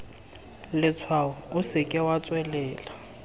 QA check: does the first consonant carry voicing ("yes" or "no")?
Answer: yes